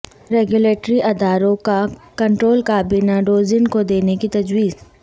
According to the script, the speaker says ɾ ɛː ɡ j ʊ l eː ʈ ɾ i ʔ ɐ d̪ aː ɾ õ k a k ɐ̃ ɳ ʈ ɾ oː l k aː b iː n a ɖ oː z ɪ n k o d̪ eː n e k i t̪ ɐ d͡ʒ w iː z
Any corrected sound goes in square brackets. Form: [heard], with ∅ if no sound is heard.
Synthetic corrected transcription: ɾ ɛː ɡ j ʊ l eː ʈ ɾ i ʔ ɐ d̪ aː ɾ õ k a k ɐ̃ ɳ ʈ ɾ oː l k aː b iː n a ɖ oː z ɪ n k o d̪ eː n e k i t̪ ɐ d͡ʒ w iː z

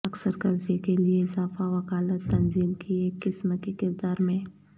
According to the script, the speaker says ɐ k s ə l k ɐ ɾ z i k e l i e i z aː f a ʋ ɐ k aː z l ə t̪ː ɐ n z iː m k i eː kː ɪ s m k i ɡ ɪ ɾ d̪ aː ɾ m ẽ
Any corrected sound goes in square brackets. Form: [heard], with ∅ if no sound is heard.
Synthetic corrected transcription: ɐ k s ə [ɾ] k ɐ ɾ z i k e l i e [ɪ] z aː f a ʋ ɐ k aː [∅] l ə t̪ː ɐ n z iː m k i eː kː ɪ s m k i [k] ɪ ɾ d̪ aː ɾ m ẽ

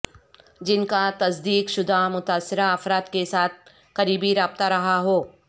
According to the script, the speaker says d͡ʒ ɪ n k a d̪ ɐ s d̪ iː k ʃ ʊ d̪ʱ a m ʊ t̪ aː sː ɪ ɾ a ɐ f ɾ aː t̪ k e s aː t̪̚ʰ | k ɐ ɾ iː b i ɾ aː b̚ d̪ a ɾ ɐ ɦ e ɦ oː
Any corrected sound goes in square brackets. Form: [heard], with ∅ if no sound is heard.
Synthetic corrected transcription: d͡ʒ ɪ n k a [t̪] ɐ s d̪ iː k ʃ ʊ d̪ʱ a m ʊ t̪ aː sː ɪ ɾ a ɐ f ɾ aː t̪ k e s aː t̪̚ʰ | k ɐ ɾ iː b i ɾ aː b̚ [t̪] a ɾ ɐ ɦ [a] ɦ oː

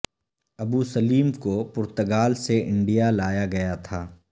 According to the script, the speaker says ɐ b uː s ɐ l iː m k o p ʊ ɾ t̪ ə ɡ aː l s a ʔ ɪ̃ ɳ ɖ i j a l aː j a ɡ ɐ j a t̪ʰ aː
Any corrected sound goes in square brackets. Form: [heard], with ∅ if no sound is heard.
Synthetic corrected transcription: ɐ b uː s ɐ l iː m k o p ʊ ɾ t̪ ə ɡ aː l s [e] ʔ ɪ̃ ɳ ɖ i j a l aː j a ɡ ɐ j a t̪ʰ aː

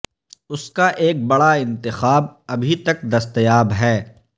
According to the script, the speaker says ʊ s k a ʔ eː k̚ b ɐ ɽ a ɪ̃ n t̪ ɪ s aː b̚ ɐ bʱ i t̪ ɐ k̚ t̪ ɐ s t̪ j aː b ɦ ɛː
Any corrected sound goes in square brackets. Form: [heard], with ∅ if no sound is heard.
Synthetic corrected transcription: ʊ s k a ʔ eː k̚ b ɐ ɽ a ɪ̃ n t̪ ɪ [x] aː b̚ ɐ bʱ i t̪ ɐ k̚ [d̪] ɐ s t̪ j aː b ɦ ɛː

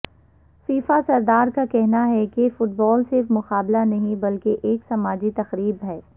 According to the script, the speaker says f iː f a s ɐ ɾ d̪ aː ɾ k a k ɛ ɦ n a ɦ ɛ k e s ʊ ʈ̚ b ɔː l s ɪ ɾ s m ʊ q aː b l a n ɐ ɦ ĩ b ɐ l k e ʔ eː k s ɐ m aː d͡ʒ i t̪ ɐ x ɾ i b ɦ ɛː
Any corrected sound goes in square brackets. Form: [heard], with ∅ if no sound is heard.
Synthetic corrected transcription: f iː f a s ɐ ɾ d̪ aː ɾ k a k ɛ ɦ n a ɦ ɛ k e [f] ʊ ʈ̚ b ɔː l s ɪ ɾ [f] m ʊ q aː b l a n ɐ ɦ ĩ b ɐ l k e ʔ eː k s ɐ m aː d͡ʒ i t̪ ɐ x ɾ [iː] b ɦ ɛː

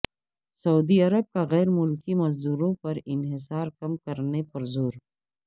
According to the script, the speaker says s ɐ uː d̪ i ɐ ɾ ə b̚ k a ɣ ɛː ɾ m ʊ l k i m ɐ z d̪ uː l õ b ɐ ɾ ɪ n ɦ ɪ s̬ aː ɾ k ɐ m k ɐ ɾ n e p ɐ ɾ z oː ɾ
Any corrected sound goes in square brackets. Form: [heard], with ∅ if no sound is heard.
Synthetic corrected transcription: s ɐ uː d̪ i ɐ ɾ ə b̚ k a ɣ ɛː ɾ m ʊ l k i m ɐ z d̪ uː [ɾ] õ [p] ɐ ɾ ɪ n ɦ ɪ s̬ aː ɾ k ɐ m k ɐ ɾ n e p ɐ ɾ z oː ɾ

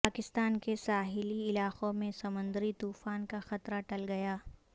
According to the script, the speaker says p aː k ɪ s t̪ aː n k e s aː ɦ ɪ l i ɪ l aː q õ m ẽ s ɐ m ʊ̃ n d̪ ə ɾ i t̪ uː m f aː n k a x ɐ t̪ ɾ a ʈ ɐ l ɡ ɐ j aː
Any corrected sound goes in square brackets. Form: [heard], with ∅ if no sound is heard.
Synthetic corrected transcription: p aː k ɪ s t̪ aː n k e s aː ɦ ɪ l i ɪ l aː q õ m ẽ s ɐ m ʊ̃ n d̪ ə ɾ i t̪ uː [∅] f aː n k a x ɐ t̪ ɾ a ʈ ɐ l ɡ ɐ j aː

